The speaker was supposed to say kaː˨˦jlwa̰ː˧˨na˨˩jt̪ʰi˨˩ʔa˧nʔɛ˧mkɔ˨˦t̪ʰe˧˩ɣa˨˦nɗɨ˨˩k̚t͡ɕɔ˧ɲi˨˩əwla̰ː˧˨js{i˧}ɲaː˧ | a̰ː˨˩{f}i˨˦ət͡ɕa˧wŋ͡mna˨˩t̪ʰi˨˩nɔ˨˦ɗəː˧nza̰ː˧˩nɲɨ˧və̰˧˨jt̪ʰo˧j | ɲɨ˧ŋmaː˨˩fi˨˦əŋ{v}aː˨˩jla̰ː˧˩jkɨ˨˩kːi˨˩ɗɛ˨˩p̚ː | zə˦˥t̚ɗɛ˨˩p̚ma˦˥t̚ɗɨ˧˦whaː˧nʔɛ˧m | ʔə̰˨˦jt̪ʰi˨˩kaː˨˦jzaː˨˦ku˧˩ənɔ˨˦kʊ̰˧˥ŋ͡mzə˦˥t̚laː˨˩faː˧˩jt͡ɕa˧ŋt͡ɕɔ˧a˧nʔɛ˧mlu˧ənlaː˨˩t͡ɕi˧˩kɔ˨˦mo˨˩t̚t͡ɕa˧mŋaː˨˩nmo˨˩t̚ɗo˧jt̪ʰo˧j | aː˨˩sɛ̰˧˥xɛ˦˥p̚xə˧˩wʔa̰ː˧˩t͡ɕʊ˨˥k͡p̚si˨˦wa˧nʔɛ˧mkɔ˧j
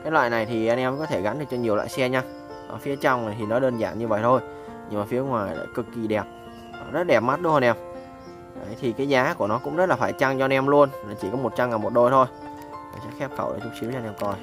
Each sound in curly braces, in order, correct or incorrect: incorrect: ɛ˧, correct, incorrect: w

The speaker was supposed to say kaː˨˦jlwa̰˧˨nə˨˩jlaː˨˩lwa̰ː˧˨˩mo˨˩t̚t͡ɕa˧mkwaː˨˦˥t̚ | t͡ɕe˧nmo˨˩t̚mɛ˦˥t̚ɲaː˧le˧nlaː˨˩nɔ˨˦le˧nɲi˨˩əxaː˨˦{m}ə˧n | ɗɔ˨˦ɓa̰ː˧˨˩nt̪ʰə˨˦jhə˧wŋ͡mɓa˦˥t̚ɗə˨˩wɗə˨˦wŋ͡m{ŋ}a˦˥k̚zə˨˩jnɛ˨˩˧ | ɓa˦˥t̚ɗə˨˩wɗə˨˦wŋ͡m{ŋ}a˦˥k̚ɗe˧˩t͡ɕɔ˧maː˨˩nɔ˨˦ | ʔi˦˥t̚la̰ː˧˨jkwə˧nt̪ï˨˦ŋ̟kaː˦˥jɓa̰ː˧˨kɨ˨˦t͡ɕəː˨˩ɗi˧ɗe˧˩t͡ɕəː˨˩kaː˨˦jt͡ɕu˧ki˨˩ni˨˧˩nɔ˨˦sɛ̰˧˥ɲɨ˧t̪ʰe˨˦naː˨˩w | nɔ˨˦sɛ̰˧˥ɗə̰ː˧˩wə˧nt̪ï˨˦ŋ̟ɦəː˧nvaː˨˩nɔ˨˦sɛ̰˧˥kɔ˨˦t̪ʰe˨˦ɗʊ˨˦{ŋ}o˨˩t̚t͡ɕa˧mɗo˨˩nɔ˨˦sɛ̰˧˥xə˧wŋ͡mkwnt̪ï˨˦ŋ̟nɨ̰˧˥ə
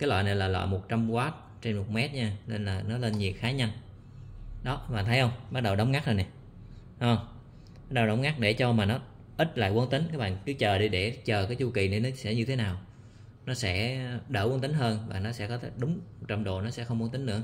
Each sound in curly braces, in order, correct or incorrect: incorrect: ɲ, correct, correct, incorrect: ŋ͡m

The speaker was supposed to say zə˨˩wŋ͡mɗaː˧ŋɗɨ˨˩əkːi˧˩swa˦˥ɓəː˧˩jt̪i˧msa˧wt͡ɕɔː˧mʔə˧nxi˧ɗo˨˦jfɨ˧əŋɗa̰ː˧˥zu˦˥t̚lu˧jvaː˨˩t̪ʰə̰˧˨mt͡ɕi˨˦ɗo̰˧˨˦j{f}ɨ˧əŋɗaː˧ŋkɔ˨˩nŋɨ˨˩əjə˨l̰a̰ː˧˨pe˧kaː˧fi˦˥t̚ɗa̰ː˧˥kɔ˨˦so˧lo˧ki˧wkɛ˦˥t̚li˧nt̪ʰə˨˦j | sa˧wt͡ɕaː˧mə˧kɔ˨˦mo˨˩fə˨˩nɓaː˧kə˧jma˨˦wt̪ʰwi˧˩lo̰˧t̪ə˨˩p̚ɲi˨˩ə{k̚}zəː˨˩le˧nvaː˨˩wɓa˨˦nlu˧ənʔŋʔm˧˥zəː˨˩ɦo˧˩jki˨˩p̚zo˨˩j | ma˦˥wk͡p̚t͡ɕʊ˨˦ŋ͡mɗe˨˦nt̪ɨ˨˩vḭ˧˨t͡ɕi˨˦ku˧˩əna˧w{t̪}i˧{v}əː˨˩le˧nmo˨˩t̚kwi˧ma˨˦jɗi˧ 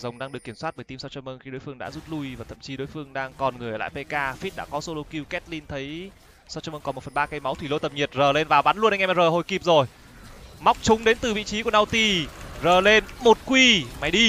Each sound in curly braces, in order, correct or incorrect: correct, incorrect: t̚, correct, incorrect: z

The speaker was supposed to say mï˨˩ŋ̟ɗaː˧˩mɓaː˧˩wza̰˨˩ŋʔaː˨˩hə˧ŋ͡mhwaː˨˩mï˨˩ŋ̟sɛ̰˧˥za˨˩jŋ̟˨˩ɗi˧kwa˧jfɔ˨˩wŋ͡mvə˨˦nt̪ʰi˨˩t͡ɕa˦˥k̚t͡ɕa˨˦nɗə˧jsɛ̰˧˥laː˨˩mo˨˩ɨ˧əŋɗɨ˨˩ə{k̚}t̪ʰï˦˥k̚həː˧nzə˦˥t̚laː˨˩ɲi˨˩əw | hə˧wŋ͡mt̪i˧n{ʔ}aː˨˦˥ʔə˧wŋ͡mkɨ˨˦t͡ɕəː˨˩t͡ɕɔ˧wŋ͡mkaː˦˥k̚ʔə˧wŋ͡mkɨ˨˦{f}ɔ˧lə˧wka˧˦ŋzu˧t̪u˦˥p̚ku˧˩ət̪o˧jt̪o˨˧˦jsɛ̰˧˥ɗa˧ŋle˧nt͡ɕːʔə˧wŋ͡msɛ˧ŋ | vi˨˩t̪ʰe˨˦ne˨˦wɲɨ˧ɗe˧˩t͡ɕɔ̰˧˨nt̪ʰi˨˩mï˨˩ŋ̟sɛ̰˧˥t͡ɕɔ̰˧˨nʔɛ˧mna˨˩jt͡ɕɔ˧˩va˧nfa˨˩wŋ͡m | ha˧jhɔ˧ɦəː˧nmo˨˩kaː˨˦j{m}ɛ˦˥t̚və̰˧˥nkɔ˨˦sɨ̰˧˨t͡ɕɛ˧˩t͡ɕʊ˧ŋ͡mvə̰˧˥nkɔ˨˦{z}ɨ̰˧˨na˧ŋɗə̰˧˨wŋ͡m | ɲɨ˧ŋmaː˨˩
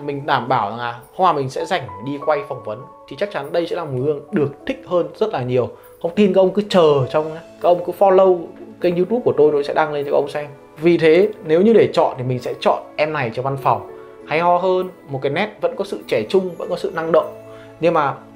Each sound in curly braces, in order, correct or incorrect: correct, incorrect: k, correct, incorrect: n, incorrect: s

